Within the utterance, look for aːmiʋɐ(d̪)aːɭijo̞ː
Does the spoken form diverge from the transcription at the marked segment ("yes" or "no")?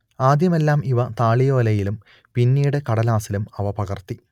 yes